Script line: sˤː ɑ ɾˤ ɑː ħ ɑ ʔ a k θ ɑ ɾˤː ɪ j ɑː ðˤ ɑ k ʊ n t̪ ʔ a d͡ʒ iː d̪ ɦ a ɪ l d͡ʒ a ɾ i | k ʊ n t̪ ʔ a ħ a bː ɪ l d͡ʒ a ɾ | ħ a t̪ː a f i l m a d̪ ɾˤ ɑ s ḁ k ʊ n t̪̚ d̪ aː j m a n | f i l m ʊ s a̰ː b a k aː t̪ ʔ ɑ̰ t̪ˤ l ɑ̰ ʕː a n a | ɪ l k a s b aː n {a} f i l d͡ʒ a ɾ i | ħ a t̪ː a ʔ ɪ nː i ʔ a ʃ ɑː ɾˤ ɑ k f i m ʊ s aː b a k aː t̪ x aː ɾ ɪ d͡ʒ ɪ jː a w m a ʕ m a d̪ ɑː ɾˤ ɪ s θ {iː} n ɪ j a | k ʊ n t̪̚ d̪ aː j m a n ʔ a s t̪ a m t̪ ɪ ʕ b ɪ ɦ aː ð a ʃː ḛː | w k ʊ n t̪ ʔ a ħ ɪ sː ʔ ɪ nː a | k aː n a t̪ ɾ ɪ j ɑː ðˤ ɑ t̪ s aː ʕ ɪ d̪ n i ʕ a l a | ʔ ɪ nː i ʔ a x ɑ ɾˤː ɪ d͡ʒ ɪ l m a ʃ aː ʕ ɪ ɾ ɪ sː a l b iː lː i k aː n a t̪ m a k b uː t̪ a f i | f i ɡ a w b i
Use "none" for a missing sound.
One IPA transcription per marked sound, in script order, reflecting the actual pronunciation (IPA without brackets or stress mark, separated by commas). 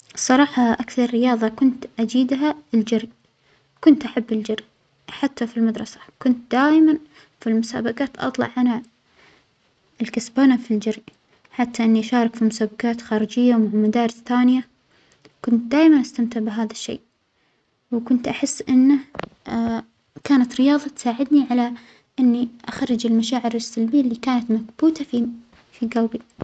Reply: a, aː